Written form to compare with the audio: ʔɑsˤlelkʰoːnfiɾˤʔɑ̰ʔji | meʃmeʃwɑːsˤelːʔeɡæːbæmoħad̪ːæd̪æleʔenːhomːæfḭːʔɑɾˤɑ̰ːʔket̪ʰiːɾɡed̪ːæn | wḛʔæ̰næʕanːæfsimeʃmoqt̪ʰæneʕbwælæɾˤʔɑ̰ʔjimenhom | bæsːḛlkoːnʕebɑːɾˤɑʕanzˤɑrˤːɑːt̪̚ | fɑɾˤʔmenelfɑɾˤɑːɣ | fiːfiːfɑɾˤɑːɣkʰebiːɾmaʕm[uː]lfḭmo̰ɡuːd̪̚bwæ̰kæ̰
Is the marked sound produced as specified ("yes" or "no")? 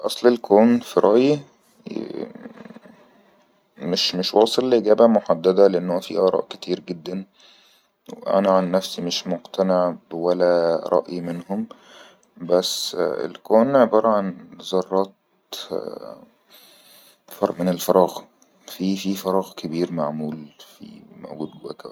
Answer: yes